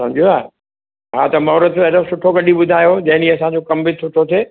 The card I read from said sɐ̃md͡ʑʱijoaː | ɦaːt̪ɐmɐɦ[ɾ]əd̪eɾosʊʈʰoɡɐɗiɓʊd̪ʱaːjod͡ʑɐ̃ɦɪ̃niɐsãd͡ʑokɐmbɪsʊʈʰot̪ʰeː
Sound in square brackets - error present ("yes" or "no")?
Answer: no